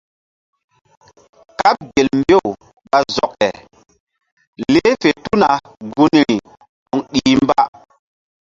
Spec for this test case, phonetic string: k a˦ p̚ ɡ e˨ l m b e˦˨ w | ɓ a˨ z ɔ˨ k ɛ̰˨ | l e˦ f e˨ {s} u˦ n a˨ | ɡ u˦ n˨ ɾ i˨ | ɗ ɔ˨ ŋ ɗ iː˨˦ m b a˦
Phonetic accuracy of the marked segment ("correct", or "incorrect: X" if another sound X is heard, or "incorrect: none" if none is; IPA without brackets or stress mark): incorrect: t